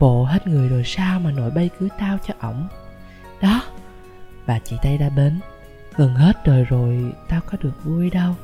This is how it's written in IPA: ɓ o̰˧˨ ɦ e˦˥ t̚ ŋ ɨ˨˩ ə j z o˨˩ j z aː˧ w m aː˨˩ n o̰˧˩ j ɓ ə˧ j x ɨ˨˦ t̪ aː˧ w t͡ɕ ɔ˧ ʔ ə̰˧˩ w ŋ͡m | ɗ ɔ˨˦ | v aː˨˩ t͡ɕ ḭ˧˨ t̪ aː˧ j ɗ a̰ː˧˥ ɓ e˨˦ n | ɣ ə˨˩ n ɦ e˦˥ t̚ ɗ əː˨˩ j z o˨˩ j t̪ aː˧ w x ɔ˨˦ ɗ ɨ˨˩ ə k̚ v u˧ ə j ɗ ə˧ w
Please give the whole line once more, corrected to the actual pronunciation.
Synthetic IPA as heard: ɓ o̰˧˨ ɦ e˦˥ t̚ ŋ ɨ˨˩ ə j z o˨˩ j s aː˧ w m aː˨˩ n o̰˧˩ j ɓ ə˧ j k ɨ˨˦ t̪ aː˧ w t͡ɕ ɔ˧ ʔ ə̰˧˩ w ŋ͡m | ɗ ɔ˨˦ | v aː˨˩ t͡ɕ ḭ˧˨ t̪ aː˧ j ɗ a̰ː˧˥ ɓ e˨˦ n | ɣ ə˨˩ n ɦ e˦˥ t̚ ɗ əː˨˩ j z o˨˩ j t̪ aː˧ w k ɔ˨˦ ɗ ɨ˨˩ ə k̚ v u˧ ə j ɗ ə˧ w